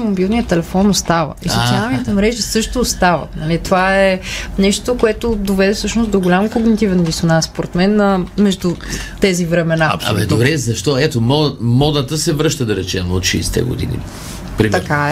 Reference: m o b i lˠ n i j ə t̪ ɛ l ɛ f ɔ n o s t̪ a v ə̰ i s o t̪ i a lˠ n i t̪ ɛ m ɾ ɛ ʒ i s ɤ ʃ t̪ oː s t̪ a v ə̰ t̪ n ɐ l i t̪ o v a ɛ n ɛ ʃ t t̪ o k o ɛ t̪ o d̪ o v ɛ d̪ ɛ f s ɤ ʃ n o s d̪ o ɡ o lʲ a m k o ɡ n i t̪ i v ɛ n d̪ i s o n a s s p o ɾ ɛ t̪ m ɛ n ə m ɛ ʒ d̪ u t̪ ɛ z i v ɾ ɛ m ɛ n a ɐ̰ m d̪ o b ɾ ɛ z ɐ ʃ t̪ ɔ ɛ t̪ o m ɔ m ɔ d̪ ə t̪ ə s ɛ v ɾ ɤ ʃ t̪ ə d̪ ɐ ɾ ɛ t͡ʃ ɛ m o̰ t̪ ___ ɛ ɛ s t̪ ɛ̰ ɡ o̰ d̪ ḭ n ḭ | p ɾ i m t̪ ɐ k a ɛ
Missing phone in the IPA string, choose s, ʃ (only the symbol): ʃ